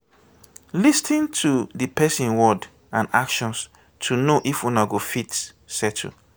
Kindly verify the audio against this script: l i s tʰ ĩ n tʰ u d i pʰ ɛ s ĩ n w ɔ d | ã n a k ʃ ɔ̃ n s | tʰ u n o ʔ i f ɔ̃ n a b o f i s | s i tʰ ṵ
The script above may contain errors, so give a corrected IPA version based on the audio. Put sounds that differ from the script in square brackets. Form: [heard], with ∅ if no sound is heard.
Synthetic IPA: l i s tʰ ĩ n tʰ u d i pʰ ɛ s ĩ n w ɔ d | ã n a k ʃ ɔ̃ n s | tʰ u n o ʔ i f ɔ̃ n a [ɡ] o f i [t] | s [ɛ] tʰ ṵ